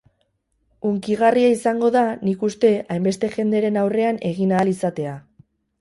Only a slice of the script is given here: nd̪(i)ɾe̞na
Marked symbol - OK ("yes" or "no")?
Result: no